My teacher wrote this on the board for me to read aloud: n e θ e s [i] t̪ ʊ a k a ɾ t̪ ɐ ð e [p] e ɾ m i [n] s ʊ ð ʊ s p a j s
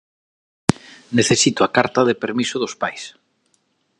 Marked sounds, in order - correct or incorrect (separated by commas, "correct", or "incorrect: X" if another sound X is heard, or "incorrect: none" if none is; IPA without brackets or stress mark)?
correct, correct, incorrect: none